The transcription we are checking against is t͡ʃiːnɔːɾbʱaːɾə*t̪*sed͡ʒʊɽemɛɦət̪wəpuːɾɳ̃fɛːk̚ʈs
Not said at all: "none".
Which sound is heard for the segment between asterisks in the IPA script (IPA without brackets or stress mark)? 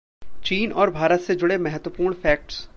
t̪